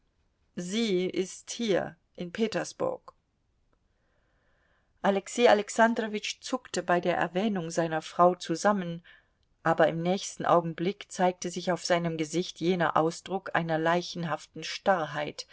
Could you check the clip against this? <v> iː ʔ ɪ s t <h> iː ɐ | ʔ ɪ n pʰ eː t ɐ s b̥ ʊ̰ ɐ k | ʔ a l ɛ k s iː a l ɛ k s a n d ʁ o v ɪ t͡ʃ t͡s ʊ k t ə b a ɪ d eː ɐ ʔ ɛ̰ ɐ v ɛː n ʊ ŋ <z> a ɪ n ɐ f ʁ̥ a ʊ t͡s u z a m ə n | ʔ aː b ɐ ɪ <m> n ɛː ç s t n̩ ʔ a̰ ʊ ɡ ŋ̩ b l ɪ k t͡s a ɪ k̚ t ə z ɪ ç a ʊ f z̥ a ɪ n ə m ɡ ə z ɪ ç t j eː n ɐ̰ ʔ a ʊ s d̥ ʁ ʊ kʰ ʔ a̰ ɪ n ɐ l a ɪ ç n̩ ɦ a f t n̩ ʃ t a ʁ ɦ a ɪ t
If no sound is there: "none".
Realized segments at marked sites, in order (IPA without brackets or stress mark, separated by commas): z, h, z, m